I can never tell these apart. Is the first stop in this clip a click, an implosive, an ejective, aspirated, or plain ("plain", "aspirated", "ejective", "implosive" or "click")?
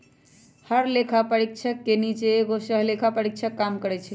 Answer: aspirated